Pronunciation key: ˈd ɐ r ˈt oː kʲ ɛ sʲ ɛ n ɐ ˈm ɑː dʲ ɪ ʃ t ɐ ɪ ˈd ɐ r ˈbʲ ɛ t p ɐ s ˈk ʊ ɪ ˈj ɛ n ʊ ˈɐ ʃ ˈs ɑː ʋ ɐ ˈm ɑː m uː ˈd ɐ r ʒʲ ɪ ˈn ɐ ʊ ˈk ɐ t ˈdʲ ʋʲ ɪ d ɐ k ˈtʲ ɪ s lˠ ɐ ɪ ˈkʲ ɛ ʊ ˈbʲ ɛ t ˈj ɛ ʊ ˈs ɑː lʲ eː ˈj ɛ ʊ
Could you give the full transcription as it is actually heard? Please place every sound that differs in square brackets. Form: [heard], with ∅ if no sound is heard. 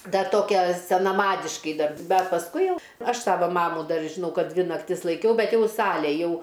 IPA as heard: ˈd ɐ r ˈt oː kʲ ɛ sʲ ɛ n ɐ ˈm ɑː dʲ ɪ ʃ [k] ɐ ɪ ˈd ɐ r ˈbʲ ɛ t p ɐ s ˈk ʊ ɪ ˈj ɛ [∅] ʊ ˈɐ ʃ ˈs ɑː ʋ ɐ ˈm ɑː m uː ˈd ɐ r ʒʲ ɪ ˈn ɐ ʊ ˈk ɐ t ˈdʲ ʋʲ ɪ [n] ɐ k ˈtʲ ɪ s lˠ ɐ ɪ ˈkʲ ɛ ʊ ˈbʲ ɛ t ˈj ɛ ʊ ˈs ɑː lʲ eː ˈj ɛ ʊ